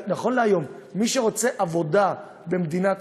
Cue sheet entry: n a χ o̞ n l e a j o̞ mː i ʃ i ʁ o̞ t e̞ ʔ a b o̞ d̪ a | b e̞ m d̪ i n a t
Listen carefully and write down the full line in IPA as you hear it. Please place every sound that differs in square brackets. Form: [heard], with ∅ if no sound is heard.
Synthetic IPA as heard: n a χ o̞ n l e a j o̞ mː i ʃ [e] ʁ o̞ [t͡s] e̞ ʔ a [v] o̞ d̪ a | b e̞ m d̪ i n a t